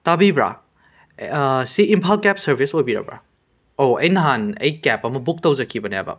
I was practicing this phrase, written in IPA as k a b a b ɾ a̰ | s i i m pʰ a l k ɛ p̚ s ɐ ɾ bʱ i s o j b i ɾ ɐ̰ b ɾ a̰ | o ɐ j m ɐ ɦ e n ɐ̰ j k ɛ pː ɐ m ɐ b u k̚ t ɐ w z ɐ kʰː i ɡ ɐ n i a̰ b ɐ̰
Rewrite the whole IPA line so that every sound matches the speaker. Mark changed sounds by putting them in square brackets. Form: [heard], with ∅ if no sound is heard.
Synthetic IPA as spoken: [t] a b [i] b ɾ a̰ | s i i m pʰ a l k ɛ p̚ s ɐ ɾ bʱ i s o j b i ɾ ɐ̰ b ɾ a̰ | o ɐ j [n] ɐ ɦ [a] n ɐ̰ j k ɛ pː ɐ m ɐ b u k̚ t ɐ w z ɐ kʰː i [b] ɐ n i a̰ b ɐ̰